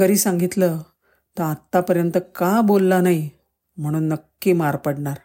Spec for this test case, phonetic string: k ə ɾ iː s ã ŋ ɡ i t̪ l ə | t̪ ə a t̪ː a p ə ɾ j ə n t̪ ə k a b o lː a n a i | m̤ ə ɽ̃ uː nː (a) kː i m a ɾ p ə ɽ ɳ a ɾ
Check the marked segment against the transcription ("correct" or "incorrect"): incorrect